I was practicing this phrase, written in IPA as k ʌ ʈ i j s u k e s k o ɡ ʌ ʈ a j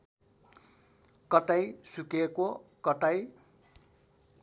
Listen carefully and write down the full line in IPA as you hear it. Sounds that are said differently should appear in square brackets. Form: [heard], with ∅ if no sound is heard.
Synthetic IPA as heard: k ʌ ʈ [a] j s u k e [∅] k o [k] ʌ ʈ a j

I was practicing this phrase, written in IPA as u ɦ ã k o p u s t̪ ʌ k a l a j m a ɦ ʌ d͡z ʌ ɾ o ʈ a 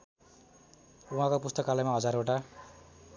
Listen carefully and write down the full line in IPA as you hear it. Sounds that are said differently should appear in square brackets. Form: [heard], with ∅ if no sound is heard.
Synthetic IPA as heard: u ɦ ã k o p u s t̪ ʌ k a l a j m a ɦ ʌ d͡z [a] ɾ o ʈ a

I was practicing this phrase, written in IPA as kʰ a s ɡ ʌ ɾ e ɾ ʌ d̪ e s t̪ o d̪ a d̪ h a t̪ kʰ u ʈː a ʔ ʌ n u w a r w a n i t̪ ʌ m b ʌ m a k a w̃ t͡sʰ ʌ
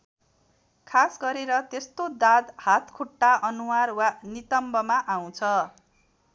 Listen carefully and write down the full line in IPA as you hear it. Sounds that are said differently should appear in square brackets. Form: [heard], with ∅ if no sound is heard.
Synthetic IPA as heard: kʰ a s ɡ ʌ ɾ e ɾ ʌ [t̪] e s t̪ o d̪ a d̪ h a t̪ kʰ u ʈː a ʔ ʌ n u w a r w a n i t̪ ʌ m b ʌ m a [ʔ] a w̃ t͡sʰ ʌ

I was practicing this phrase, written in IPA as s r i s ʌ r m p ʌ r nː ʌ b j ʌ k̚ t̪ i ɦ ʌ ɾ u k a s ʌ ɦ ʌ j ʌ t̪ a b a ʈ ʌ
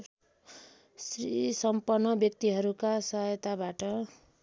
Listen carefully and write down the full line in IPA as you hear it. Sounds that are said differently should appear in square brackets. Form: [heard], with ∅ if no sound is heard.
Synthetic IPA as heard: s r i s ʌ [∅] m p ʌ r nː ʌ b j ʌ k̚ t̪ i ɦ ʌ ɾ u k a s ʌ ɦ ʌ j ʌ t̪ a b a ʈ ʌ

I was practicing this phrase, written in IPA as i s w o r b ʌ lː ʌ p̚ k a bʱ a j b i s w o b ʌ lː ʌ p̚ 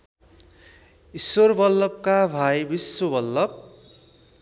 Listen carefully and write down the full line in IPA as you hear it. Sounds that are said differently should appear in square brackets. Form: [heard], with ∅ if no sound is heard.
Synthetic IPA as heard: i s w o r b ʌ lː ʌ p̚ k a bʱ a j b i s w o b ʌ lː ʌ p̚

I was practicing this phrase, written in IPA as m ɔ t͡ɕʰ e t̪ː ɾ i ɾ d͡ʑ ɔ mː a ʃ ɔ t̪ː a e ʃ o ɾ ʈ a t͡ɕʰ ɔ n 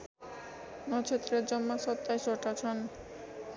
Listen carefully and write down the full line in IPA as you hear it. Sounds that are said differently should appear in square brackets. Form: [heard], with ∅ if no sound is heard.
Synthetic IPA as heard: [n] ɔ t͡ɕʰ e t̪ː ɾ [e] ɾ d͡ʑ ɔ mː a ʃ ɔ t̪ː a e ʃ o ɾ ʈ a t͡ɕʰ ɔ n

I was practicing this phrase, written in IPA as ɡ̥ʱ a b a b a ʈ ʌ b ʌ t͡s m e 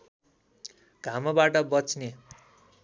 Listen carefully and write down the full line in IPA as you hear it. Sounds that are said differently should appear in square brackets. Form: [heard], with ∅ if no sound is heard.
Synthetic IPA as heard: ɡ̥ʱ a [m] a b a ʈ ʌ b ʌ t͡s [n] e

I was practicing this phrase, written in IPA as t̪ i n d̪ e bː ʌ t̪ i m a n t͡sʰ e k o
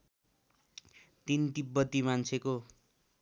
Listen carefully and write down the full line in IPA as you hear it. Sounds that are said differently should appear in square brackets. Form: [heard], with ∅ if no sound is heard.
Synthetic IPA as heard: t̪ i n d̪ [i] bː ʌ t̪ i m a n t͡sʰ e k o

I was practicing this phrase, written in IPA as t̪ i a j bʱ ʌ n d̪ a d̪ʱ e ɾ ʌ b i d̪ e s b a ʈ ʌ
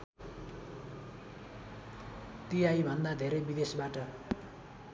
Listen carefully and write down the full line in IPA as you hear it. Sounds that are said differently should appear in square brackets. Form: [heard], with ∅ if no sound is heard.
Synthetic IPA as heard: t̪ i a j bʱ ʌ n d̪ a d̪ʱ e ɾ ʌ b i d̪ e s b a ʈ ʌ

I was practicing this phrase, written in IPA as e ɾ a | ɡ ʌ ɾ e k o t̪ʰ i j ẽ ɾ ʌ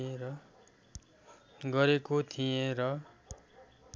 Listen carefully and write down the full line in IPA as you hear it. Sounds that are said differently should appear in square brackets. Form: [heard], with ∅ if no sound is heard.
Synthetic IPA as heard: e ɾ [ʌ] | ɡ ʌ ɾ e k o t̪ʰ i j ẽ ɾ ʌ

